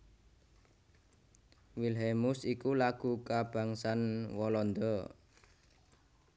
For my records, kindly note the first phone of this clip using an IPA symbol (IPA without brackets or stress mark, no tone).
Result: w